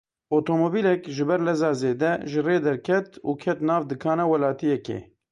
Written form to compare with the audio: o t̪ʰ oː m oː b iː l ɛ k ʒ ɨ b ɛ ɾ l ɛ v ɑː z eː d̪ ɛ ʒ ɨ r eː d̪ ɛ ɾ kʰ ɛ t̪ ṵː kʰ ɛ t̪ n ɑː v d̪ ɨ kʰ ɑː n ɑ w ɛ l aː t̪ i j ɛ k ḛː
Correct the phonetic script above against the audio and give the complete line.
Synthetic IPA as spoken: o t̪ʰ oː m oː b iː l ɛ k ʒ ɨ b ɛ ɾ l ɛ z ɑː z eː d̪ ɛ ʒ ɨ r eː d̪ ɛ ɾ kʰ ɛ t̪ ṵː kʰ ɛ t̪ n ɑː v d̪ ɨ kʰ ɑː n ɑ w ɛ l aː t̪ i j ɛ k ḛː